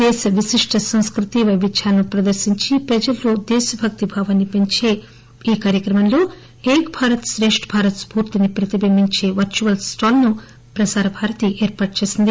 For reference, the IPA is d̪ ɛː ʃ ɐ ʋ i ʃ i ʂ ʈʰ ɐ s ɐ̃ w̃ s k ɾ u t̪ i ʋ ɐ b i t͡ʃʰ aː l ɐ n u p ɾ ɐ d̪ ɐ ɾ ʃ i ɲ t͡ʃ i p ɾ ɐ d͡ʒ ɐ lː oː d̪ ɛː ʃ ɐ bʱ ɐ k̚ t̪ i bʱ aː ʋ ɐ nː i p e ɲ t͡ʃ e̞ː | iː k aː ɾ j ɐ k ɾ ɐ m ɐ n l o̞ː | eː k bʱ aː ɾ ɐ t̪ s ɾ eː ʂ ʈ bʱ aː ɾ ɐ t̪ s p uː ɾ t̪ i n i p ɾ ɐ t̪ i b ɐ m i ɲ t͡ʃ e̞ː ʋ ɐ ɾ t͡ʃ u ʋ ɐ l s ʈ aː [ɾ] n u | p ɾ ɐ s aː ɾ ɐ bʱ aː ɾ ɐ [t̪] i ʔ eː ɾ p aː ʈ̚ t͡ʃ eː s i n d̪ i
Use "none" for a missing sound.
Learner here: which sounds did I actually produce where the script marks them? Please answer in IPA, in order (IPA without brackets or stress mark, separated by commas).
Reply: l, t̪